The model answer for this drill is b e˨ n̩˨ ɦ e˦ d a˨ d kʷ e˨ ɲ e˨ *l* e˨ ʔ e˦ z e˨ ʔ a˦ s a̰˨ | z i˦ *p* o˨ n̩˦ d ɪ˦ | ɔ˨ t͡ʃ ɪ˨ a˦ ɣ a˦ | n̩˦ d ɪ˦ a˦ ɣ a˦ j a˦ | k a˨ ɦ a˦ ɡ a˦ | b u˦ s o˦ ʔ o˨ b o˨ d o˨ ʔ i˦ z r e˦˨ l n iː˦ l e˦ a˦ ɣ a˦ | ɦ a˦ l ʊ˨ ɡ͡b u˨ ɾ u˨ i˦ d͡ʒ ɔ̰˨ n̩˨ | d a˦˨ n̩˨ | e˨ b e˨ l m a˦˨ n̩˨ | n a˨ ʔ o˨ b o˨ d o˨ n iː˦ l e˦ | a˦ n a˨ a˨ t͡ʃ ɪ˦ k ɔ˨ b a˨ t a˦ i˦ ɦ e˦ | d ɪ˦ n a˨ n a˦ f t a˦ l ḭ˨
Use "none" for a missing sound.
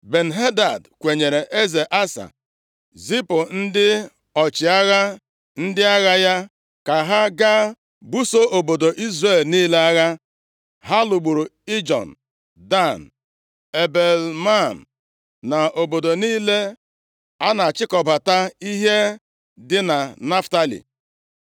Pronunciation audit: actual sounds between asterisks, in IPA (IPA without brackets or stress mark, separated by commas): ɾ, p